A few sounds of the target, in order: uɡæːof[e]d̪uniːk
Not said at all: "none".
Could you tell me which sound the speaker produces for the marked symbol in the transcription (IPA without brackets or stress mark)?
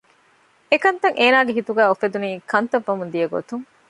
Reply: e